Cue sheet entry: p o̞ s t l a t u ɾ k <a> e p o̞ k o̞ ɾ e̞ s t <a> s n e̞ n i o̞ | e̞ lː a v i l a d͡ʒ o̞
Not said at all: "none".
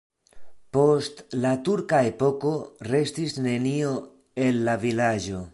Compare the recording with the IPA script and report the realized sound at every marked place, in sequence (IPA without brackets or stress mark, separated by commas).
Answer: a, i